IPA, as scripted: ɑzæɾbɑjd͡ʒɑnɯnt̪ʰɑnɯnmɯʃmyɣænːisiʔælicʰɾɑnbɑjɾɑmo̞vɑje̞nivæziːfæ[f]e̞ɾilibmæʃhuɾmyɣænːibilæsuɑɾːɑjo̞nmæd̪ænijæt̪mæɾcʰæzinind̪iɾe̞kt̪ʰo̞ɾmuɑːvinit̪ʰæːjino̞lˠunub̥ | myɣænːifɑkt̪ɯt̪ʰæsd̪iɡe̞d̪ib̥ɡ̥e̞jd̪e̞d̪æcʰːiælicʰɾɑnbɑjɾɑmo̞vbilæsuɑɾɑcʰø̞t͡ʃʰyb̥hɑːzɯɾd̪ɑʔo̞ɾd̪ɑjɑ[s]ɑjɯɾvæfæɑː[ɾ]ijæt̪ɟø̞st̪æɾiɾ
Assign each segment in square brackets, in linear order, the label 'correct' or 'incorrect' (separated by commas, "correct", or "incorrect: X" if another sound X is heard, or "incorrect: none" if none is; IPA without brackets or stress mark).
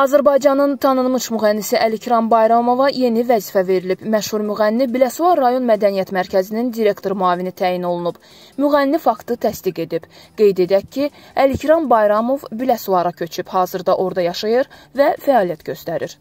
incorrect: v, incorrect: ʃ, incorrect: l